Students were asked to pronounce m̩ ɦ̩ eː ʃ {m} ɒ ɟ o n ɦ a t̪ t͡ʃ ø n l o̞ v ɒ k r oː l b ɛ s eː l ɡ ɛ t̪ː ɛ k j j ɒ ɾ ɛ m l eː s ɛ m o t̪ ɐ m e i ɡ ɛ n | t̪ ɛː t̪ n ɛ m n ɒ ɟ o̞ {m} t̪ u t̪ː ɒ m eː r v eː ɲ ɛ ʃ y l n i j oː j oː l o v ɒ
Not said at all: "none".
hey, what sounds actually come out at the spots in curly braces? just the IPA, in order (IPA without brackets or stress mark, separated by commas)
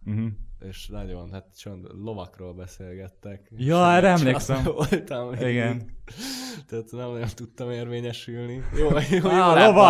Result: n, n